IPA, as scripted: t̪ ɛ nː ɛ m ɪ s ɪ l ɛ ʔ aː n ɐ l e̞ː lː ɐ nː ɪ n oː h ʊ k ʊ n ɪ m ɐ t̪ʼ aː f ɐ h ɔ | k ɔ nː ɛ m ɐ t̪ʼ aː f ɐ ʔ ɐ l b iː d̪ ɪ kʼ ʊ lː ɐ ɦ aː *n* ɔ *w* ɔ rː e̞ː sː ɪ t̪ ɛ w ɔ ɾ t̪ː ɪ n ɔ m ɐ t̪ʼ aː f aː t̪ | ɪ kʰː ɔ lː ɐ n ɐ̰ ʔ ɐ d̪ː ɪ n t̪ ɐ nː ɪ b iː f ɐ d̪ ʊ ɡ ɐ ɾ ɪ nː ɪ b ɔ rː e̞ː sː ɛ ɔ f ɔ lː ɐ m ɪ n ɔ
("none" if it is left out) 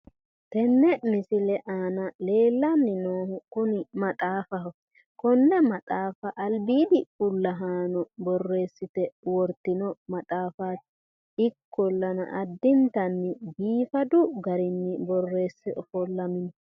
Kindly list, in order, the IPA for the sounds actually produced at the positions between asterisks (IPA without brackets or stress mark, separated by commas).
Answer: n, b